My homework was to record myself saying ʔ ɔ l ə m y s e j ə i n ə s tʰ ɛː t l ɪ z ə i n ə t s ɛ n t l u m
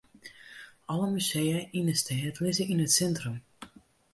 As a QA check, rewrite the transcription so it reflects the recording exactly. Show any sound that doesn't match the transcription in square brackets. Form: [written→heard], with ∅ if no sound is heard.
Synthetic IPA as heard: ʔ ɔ l ə m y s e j ə i n ə s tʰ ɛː t l ɪ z ə i n ə t s ɛ n t [l→r] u m